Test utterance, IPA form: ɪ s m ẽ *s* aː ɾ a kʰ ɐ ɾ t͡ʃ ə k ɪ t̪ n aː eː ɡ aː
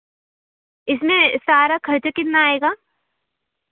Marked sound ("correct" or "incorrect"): correct